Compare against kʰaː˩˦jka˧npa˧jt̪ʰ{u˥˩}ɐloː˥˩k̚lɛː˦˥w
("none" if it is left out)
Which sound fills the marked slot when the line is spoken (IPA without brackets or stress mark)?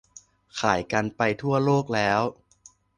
u˥˩